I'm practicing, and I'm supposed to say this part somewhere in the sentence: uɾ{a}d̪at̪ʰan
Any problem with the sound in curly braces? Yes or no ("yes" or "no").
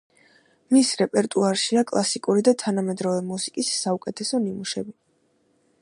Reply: yes